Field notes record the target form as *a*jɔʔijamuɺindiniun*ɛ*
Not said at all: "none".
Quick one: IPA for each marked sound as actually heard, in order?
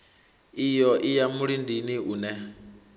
i, ɛ

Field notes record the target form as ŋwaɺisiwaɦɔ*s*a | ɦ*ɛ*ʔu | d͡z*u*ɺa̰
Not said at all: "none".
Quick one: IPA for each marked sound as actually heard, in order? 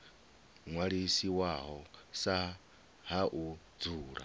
s, a, uː

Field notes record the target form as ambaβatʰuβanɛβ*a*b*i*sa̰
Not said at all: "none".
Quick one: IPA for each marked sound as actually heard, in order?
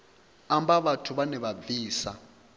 a, iː

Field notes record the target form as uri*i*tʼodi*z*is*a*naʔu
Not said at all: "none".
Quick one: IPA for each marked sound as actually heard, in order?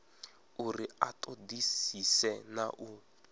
a, s, ɛ

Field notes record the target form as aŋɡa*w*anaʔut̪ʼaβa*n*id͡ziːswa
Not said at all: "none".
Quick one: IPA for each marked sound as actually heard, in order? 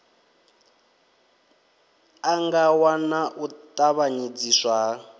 w, ɲ

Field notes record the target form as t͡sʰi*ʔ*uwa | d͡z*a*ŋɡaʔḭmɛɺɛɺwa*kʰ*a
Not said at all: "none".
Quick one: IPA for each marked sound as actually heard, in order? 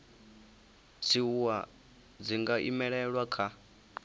none, i, kʰ

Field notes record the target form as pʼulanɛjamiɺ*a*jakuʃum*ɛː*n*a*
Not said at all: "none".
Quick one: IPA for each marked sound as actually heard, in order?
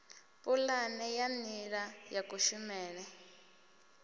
a, ɛː, ɛ

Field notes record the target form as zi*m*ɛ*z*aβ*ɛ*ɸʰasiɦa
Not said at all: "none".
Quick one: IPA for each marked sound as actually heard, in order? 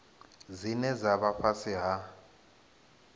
n, z, a

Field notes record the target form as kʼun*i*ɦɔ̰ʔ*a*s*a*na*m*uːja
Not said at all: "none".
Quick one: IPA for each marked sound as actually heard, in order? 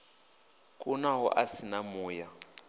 a, a, i, m

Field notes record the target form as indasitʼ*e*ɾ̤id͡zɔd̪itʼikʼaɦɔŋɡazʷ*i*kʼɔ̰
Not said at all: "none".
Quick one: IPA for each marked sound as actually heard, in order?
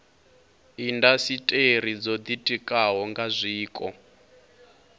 e, iː

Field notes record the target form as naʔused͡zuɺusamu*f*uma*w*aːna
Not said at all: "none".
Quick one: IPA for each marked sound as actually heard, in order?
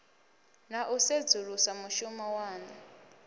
ʃ, w

